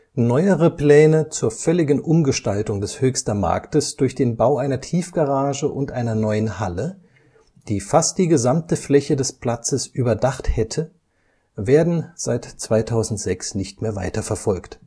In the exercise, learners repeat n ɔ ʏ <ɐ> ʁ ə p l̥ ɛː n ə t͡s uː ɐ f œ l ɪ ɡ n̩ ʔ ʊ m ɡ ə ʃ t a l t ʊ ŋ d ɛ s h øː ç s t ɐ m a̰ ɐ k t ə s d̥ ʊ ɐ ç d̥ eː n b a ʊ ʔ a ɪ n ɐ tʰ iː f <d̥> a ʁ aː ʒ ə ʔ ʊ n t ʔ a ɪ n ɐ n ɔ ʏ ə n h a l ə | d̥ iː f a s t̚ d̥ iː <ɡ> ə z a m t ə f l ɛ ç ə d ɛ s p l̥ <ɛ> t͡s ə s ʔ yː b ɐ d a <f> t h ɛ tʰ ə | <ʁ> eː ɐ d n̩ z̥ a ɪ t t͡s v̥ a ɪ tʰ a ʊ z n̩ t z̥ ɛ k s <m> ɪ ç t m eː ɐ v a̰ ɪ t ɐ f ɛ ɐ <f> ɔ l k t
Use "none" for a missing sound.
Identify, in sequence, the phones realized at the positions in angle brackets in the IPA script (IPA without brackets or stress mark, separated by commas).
ə, ɡ̥, ɡ, a, χ, v, n, f